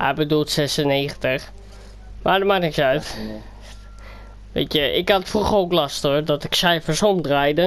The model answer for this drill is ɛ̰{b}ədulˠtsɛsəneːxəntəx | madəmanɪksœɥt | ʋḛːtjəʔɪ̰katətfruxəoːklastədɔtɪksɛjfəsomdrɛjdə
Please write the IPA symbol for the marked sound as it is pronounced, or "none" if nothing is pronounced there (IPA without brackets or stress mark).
b